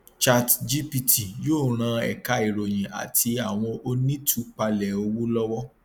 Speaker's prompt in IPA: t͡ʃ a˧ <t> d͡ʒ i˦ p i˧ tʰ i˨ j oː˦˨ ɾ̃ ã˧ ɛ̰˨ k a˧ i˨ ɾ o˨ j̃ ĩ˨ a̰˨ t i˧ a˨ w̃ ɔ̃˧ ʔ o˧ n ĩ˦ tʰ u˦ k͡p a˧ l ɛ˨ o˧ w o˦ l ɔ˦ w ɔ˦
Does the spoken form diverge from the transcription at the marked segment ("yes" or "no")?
no